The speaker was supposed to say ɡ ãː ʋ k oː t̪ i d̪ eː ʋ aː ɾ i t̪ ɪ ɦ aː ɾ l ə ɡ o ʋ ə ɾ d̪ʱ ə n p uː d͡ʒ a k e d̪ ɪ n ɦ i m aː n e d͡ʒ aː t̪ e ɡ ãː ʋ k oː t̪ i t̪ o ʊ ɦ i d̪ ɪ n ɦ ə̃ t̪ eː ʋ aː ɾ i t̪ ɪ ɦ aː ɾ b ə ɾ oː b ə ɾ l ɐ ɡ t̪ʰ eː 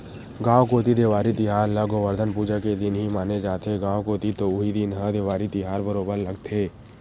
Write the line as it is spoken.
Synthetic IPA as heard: ɡ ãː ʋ k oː t̪ i d̪ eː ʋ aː ɾ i t̪ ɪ ɦ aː ɾ l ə ɡ o ʋ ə ɾ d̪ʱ ə n p uː d͡ʒ a k e d̪ ɪ n ɦ i m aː n e d͡ʒ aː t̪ e ɡ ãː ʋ k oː t̪ i t̪ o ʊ ɦ i d̪ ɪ n ɦ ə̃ d̪ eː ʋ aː ɾ i t̪ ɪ ɦ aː ɾ b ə ɾ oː b ə ɾ l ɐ ɡ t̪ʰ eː